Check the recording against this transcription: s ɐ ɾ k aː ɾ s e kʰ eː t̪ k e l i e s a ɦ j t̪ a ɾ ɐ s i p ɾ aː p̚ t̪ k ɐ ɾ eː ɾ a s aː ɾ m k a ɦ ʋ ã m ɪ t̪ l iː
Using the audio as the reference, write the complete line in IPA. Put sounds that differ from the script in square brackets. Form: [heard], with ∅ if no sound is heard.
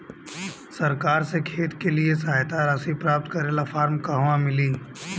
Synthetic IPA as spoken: s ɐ ɾ k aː ɾ s e kʰ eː t̪ k e l i e s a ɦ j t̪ a ɾ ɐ s i p ɾ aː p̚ t̪ k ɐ ɾ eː [l] a [f] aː ɾ m k a ɦ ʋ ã m ɪ [∅] l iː

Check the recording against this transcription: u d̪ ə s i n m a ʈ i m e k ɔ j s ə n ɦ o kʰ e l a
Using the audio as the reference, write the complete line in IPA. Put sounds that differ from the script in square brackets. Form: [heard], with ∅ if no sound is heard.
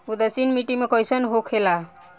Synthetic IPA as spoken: u d̪ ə s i n m [i] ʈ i m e k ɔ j s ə n ɦ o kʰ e l a

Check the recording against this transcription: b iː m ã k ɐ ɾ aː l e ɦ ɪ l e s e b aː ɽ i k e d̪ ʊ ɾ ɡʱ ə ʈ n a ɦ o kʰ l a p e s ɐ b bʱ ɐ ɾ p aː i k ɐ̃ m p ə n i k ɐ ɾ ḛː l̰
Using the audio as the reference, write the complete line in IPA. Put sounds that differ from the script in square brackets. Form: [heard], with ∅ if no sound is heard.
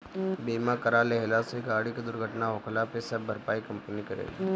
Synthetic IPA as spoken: b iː m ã k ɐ ɾ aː l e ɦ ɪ l [a] s e [ɡ] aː ɽ i k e d̪ ʊ ɾ ɡʱ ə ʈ n a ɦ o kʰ l a p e s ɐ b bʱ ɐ ɾ p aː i k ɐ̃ m p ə n i k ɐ ɾ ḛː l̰

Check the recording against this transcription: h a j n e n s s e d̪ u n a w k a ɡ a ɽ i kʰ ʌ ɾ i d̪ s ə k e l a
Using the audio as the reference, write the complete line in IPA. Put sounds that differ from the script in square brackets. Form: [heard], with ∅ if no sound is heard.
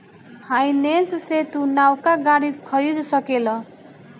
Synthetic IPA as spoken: h a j n e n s s e [t̪] u n a w k a ɡ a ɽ i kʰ ʌ ɾ i d̪ s [ʌ] k e l [ʌ]

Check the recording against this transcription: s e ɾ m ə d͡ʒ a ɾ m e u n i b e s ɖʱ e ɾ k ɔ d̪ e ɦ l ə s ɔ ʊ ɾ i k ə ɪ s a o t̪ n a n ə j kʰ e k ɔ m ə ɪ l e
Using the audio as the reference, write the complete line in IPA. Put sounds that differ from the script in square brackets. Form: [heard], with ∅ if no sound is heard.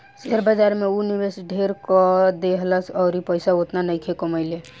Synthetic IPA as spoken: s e ɾ [b] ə d͡ʒ a ɾ m e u n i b e s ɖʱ e ɾ k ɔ d̪ e ɦ l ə s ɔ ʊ ɾ i [p] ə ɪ s a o t̪ n a n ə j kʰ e k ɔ m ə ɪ l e

